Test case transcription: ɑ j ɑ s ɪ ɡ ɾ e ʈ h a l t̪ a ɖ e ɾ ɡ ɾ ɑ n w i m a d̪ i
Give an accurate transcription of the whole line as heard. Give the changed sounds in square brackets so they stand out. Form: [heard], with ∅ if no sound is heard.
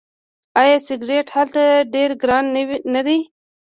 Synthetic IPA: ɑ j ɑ s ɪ ɡ ɾ e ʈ h a l t̪ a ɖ e ɾ ɡ ɾ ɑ n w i [n] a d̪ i